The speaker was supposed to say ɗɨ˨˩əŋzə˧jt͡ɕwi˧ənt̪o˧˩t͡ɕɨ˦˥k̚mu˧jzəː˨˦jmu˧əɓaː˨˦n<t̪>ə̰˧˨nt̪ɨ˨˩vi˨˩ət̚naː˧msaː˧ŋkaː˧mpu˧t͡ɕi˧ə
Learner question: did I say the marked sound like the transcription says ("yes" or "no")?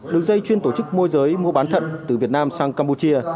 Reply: no